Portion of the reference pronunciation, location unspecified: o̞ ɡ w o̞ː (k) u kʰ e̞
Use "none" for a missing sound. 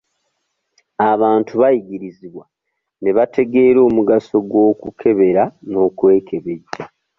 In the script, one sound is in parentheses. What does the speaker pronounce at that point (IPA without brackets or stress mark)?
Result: k